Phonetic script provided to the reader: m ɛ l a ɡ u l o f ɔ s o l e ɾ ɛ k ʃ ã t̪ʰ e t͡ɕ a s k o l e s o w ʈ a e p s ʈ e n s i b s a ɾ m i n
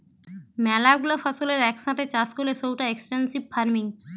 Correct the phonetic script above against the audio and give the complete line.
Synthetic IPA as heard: m ɛ l a ɡ u l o f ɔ s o l e ɾ ɛ k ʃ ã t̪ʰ e t͡ɕ a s k o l e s o w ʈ a e k s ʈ e n s i b f a ɾ m i ŋ